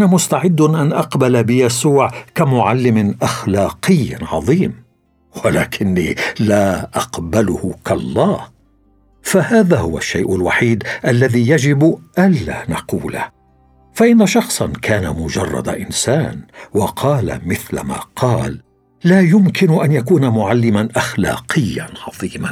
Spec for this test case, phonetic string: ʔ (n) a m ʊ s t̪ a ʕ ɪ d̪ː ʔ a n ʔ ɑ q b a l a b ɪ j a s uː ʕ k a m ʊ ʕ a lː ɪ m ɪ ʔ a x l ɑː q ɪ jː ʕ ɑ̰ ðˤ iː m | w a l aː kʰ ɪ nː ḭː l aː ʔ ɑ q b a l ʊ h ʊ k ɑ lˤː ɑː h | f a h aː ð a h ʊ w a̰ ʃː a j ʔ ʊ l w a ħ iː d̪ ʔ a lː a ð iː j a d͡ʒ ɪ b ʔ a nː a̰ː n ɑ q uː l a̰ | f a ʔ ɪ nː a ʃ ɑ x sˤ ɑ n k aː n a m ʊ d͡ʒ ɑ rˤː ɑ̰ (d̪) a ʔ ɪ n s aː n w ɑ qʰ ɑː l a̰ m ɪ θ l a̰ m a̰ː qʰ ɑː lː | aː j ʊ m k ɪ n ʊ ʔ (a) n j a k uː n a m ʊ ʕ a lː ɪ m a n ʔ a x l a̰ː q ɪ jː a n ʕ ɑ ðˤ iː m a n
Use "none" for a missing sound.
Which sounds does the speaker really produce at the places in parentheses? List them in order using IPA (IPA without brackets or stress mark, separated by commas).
n, d̪, a